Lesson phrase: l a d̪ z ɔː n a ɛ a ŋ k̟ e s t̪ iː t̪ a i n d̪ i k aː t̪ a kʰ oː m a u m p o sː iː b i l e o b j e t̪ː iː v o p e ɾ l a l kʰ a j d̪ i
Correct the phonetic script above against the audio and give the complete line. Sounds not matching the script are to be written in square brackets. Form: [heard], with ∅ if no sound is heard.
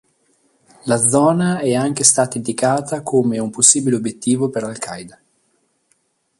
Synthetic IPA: l a d̪ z ɔː n a ɛ a ŋ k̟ e s t̪ [aː] t̪ a i n d̪ i k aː t̪ a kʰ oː m [e] u m p o sː iː b i l e o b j e t̪ː iː v o p e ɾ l a l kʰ a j d̪ [a]